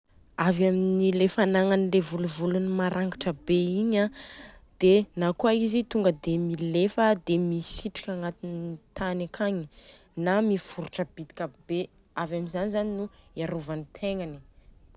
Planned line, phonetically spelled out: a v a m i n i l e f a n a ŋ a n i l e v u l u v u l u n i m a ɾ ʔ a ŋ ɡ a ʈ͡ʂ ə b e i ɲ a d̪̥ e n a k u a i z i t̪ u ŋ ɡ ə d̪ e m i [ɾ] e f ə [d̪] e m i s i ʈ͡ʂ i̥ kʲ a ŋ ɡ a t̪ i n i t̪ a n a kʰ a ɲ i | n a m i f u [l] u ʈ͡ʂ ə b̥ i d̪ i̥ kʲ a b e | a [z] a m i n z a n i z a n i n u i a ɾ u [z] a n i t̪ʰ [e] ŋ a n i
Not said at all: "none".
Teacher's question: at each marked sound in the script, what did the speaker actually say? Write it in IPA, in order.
l, d̪, ɾ, v, v, e

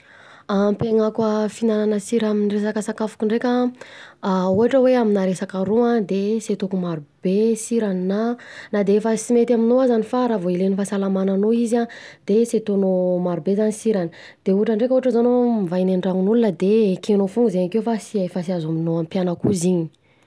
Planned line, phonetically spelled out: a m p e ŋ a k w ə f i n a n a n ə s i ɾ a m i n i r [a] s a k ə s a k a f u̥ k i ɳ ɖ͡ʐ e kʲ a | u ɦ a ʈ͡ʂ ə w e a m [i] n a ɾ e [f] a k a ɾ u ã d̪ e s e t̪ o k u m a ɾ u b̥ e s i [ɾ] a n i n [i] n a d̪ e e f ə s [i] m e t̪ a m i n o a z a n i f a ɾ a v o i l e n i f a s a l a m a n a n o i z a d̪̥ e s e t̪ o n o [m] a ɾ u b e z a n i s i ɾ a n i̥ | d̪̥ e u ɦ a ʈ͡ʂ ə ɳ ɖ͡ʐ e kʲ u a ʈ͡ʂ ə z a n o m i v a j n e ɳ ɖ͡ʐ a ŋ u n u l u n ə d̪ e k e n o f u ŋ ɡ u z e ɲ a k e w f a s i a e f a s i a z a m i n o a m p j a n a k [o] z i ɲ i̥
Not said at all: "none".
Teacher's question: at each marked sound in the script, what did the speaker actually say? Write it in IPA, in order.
e, i, s, ɾ, a, i, m, u

